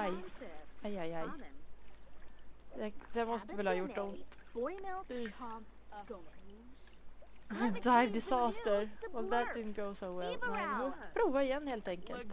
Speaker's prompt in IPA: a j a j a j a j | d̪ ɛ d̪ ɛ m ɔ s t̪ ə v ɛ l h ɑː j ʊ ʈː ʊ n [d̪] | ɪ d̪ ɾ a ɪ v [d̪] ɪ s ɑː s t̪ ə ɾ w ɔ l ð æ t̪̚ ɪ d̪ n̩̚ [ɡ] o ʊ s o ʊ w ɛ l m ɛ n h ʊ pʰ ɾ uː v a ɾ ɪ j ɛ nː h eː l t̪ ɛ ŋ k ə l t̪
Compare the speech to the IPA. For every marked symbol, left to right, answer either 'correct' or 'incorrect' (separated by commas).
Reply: incorrect, correct, correct